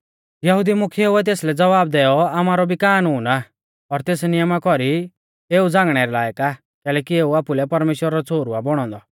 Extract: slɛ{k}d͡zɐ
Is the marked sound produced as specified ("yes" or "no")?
no